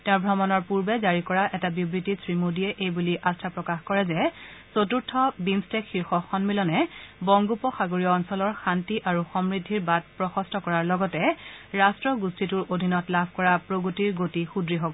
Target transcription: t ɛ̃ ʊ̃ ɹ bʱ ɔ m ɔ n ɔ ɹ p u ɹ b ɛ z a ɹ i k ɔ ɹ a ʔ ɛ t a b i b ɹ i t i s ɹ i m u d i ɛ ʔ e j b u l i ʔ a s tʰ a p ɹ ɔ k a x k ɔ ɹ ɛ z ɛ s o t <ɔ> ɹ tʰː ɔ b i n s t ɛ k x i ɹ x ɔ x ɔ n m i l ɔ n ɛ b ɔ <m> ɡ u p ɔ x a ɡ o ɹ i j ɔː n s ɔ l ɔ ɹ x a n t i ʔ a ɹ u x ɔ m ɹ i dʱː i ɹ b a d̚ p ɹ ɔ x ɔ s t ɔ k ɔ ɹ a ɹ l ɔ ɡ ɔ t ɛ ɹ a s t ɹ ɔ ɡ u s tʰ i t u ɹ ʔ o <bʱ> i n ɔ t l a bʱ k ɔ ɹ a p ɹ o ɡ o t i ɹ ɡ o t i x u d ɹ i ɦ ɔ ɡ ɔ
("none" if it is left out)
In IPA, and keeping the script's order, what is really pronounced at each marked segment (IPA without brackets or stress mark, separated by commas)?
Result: u, ŋ, dʱ